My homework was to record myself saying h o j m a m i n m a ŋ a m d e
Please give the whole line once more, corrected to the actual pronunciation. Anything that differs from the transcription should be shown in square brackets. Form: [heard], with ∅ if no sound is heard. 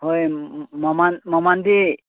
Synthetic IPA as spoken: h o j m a m [a] n m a [m] a [n] d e